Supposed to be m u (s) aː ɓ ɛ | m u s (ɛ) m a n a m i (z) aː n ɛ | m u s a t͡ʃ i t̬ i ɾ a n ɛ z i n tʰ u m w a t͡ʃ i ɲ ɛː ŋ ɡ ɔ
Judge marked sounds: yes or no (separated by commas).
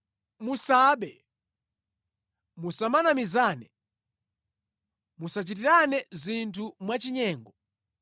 yes, no, yes